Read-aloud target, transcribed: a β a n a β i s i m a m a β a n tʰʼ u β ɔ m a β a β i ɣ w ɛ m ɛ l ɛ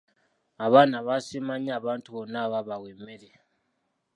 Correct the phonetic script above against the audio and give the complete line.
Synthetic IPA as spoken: a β a n a β a s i m a ɲ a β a n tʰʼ u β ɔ n a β a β a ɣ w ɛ m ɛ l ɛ